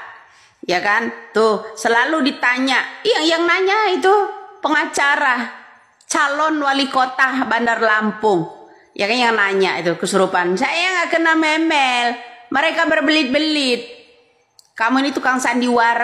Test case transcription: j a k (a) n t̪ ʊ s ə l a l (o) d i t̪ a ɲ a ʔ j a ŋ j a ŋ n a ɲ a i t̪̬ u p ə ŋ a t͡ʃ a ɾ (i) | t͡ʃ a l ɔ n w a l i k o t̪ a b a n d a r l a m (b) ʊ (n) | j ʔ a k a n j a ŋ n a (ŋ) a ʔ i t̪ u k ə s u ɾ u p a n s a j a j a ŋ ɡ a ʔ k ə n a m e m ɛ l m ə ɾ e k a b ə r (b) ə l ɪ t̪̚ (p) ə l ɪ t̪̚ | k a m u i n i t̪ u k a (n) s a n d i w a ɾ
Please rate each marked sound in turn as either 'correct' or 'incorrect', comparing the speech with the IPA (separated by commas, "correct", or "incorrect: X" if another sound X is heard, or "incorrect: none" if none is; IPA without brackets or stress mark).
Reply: correct, incorrect: u, incorrect: a, incorrect: p, incorrect: ŋ, incorrect: ɲ, correct, incorrect: b, incorrect: ŋ